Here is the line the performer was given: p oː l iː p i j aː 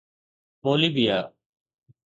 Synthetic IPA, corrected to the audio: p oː l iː b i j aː